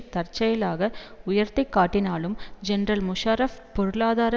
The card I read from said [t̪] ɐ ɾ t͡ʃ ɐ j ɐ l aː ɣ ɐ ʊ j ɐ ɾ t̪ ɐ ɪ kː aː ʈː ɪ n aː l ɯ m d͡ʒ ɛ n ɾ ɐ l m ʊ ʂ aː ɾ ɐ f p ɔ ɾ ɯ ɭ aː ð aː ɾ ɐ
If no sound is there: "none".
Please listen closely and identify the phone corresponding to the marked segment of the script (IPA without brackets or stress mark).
t̪